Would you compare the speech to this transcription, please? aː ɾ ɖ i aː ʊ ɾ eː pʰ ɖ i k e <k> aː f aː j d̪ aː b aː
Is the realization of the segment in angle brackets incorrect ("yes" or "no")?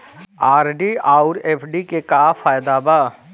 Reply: no